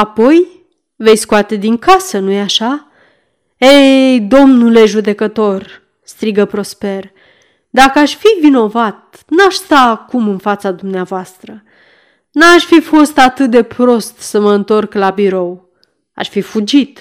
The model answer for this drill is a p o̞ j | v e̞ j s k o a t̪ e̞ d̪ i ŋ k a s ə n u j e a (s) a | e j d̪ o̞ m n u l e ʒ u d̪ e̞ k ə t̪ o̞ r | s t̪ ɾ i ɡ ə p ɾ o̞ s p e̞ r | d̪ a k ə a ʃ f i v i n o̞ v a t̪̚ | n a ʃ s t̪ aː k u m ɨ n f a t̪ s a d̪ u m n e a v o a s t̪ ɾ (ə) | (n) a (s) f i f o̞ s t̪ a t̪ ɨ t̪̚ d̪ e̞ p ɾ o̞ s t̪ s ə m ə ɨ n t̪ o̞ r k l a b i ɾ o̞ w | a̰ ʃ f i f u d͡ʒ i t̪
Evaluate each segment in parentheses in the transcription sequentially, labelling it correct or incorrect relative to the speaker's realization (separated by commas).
incorrect, correct, correct, incorrect